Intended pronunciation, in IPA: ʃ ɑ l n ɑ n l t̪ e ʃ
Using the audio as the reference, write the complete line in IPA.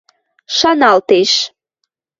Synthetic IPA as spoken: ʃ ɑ n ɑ l t̪ e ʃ